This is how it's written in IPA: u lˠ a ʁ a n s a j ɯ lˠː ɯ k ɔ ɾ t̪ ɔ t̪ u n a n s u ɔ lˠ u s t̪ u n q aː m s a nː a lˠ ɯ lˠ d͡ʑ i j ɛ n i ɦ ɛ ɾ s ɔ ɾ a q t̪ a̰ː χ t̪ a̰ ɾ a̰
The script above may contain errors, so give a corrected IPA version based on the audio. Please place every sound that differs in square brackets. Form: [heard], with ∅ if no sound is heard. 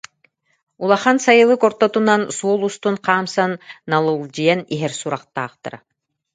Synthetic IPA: u lˠ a [χ] a n s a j ɯ [lˠ] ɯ k ɔ ɾ t̪ ɔ t̪ u n a n s u ɔ lˠ u s t̪ u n q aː m s a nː a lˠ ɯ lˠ d͡ʑ i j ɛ n i ɦ ɛ ɾ s [u] ɾ a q t̪ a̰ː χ t̪ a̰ ɾ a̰